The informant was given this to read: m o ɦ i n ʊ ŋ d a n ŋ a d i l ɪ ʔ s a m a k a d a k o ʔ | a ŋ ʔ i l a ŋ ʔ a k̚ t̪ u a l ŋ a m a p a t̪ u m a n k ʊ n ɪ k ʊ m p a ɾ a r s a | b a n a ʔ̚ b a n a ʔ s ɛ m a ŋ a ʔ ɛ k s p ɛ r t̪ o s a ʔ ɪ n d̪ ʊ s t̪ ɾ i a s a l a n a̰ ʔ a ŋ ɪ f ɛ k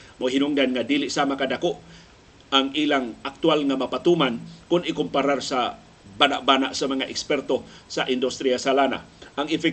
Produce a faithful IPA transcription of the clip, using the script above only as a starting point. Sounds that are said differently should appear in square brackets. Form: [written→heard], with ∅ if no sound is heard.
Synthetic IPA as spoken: m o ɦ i n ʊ ŋ d a n ŋ a d i l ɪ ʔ s a m a k a d a k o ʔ | a ŋ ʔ i l a ŋ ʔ a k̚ t̪ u a l ŋ a m a p a t̪ u m a n k ʊ n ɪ k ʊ m p a ɾ a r s a | b a n a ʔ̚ b a n a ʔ s [ɛ→a] m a ŋ a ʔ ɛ k s p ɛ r t̪ o s a ʔ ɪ n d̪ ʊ s t̪ ɾ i a s a l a n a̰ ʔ a ŋ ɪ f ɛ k